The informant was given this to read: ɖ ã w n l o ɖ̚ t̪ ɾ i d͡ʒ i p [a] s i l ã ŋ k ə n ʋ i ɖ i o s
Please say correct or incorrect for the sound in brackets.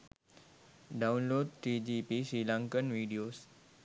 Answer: incorrect